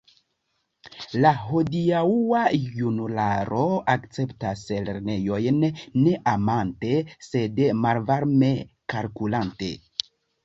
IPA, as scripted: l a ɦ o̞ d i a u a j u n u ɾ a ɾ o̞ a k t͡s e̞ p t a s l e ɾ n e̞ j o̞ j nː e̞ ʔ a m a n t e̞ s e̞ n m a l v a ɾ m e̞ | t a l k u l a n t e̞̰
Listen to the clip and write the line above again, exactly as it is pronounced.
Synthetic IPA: l a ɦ o̞ d i a u a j u n u l a ɾ o̞ a k t͡s e̞ p t a s l e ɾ n e̞ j o̞ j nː e̞ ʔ a m a n t e̞ s e̞ d m a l v a ɾ m e̞ | k a l k u l a n t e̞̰